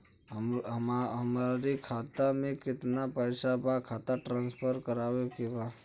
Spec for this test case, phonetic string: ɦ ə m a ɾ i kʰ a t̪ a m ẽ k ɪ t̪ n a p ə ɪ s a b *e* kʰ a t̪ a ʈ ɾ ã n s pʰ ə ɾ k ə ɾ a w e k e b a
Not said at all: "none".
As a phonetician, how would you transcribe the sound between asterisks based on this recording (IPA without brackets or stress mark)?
a